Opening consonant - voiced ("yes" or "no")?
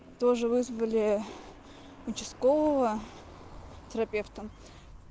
no